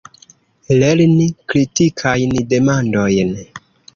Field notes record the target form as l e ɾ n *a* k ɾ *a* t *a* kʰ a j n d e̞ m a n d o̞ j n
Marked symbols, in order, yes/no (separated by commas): no, no, no